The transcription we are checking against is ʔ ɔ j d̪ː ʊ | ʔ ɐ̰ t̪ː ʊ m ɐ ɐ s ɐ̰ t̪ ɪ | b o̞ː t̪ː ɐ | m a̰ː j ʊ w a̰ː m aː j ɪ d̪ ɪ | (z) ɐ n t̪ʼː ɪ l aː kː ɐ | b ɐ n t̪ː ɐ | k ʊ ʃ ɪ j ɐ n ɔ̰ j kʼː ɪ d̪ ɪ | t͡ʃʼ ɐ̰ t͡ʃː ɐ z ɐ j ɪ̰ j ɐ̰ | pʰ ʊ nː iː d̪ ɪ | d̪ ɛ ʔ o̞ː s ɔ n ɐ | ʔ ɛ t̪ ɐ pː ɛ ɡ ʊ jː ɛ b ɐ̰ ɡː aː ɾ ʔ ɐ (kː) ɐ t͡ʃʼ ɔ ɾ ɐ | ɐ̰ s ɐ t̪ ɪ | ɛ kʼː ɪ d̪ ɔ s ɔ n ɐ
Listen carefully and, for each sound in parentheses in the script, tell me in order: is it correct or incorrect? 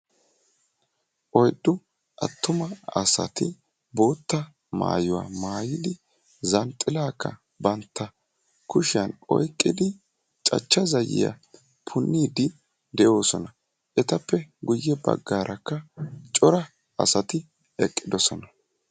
correct, correct

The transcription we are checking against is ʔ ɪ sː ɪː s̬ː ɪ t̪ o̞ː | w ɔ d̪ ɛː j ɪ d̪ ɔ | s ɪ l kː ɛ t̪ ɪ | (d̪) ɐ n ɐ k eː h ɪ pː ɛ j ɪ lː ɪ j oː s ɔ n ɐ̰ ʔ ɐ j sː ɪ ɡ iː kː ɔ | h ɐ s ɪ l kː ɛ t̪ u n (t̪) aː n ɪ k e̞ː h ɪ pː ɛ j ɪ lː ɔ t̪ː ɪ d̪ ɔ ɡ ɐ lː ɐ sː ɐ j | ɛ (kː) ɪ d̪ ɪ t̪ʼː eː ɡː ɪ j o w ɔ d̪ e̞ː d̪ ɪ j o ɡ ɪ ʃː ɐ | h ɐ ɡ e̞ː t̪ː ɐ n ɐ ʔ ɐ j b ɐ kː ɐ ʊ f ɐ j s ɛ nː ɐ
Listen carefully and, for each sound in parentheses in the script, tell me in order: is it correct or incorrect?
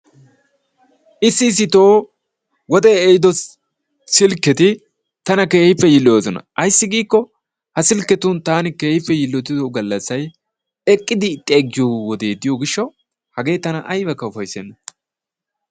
incorrect: t̪, correct, incorrect: kʼː

